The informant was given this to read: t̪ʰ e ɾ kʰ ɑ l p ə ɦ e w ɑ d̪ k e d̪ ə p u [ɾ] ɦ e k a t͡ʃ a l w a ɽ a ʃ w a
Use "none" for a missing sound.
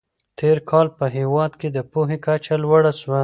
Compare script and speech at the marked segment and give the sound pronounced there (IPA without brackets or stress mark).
none